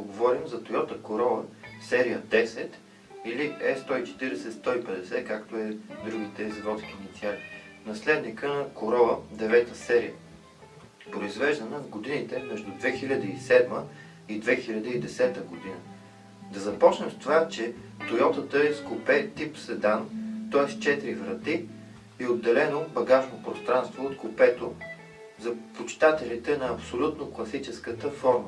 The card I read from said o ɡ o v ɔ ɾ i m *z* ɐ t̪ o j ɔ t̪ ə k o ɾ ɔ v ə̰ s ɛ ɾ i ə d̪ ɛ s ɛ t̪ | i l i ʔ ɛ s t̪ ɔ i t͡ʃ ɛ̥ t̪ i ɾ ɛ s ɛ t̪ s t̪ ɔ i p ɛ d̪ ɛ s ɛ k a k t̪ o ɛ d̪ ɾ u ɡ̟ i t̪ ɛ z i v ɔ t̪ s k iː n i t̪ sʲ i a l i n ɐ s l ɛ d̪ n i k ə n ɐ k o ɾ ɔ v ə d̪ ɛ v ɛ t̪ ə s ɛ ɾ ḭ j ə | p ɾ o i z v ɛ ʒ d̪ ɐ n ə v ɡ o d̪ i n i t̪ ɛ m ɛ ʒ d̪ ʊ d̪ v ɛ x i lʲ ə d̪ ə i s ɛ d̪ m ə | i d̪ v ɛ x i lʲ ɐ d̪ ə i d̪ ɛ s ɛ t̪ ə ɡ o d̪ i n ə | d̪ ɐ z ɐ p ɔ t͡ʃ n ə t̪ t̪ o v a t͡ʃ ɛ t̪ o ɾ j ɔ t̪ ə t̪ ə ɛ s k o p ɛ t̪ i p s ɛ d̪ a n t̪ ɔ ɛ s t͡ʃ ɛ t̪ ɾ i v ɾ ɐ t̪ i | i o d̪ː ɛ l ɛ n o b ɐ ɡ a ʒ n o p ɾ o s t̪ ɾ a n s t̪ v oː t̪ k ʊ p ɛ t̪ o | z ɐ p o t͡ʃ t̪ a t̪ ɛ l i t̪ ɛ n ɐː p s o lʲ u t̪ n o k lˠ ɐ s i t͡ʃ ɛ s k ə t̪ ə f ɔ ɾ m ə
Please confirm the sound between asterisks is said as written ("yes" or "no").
yes